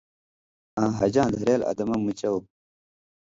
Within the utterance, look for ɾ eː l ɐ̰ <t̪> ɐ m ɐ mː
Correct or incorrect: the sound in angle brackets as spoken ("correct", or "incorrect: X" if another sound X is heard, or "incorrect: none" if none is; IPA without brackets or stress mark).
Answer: incorrect: d̪